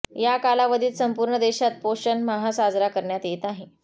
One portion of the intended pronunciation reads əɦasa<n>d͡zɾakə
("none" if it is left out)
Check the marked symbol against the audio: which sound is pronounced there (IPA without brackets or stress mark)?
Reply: none